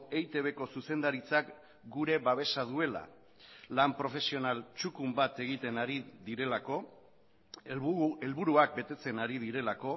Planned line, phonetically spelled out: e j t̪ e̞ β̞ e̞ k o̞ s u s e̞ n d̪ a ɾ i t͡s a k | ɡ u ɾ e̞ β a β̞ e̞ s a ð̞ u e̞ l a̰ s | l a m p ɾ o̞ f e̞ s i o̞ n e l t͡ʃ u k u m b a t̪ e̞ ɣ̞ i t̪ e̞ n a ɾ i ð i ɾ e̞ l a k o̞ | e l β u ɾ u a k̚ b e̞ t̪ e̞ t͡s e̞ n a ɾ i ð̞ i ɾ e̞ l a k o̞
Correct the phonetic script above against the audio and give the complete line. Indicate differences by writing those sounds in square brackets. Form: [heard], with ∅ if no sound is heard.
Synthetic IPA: e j t̪ e̞ β̞ e̞ k o̞ s u s e̞ n d̪ a ɾ i t͡s a k | ɡ u ɾ e̞ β a β̞ e̞ s a ð̞ u e̞ l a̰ [∅] | l a m p ɾ o̞ f e̞ s i o̞ n [a] l t͡ʃ u k u m b a t̪ e̞ ɣ̞ i t̪ e̞ n a ɾ i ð i ɾ e̞ l a k o̞ | e l β u ɾ u a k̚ b e̞ t̪ e̞ t͡s e̞ n a ɾ i ð̞ i ɾ e̞ l a k o̞